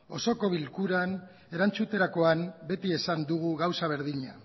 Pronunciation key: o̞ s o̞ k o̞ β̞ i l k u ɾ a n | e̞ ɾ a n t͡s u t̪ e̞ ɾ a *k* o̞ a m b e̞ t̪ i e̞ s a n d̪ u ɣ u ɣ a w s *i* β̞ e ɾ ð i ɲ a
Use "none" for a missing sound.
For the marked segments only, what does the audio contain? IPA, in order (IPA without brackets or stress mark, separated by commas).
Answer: k, a